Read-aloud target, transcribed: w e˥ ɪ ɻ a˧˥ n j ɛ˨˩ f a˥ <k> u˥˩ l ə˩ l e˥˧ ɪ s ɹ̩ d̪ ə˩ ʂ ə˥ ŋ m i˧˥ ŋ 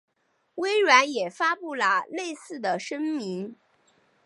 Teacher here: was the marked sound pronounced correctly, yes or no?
no